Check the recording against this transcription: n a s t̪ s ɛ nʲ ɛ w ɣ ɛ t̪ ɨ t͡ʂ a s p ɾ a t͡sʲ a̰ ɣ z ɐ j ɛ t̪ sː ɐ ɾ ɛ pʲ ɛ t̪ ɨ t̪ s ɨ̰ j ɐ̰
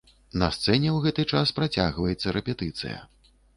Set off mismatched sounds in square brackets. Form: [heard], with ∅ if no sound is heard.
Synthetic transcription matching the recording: n [ɐ] s t̪ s ɛ nʲ ɛ w ɣ ɛ t̪ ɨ t͡ʂ a s p ɾ a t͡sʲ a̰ ɣ [v] ɐ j ɛ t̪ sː ɐ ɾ ɛ pʲ ɛ t̪ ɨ t̪ s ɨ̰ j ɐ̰